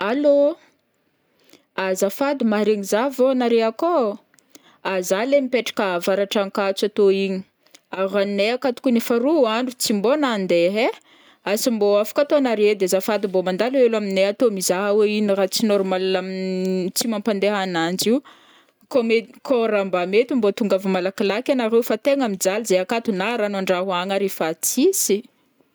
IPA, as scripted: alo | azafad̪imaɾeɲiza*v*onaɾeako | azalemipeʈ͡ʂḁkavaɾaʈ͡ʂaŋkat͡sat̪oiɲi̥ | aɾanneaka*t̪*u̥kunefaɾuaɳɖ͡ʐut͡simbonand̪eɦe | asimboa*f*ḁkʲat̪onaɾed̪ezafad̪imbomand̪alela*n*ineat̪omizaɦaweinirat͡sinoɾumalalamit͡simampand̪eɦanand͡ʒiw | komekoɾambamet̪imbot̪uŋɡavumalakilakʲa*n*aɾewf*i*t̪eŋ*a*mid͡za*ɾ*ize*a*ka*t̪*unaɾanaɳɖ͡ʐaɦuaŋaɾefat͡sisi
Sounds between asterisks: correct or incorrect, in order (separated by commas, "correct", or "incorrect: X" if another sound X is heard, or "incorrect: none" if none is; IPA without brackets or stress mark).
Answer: correct, correct, correct, incorrect: m, correct, incorrect: a, correct, incorrect: l, correct, correct